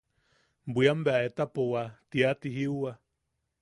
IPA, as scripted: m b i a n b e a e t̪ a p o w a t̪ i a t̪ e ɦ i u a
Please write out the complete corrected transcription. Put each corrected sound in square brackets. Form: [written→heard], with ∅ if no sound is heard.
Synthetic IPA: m b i a [n→m] b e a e t̪ a p o w a t̪ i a t̪ [e→i] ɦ i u a